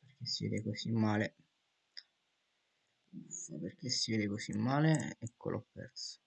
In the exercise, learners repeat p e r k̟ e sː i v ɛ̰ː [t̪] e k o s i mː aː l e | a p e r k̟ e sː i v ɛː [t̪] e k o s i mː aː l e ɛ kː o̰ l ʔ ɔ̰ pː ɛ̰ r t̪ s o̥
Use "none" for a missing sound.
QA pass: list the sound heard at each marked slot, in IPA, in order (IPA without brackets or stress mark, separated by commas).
d̪, d̪